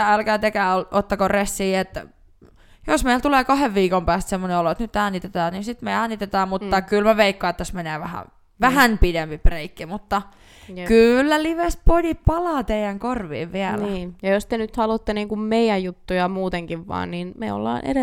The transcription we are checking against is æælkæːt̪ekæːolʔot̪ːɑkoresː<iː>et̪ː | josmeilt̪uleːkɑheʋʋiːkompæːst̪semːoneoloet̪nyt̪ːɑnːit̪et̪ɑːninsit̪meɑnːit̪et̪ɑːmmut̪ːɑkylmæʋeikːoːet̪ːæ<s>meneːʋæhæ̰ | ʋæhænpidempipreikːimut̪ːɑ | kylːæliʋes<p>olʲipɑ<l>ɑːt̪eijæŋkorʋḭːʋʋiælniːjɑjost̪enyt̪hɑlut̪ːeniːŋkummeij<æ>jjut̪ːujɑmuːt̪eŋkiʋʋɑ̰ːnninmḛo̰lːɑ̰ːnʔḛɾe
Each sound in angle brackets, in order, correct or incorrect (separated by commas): correct, correct, correct, correct, correct